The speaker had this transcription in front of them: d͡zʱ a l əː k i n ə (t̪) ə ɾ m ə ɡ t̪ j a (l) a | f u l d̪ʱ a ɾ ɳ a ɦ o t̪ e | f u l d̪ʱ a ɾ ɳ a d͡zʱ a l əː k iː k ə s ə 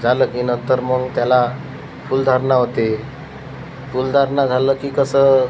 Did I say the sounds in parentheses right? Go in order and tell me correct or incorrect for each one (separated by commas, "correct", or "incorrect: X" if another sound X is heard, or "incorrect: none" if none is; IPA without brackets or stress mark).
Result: correct, correct